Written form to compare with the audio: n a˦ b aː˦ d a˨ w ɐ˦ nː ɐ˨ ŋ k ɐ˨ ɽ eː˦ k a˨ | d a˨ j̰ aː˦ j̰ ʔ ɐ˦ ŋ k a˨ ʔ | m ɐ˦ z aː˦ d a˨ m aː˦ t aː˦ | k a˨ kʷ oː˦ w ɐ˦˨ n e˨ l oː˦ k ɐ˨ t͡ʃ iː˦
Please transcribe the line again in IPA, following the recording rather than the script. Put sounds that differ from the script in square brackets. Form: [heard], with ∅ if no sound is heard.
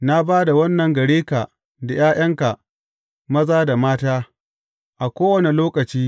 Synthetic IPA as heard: n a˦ b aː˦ d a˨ w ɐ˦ nː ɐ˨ ŋ [ɡ] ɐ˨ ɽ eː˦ k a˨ | d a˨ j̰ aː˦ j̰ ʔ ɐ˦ ŋ k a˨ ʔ | m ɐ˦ z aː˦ d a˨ m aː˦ t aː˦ | [ʔ] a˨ kʷ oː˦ w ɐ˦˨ n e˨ l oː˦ k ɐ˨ t͡ʃ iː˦